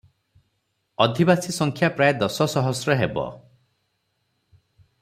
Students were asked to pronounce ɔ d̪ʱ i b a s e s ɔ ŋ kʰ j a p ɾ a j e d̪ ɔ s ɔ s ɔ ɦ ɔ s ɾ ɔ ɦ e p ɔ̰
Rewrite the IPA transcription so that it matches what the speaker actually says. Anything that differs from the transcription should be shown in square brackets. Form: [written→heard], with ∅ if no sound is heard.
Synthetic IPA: ɔ d̪ʱ i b a s [e→i] s ɔ ŋ kʰ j a p ɾ a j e d̪ ɔ s ɔ s ɔ ɦ ɔ s ɾ ɔ ɦ e [p→b] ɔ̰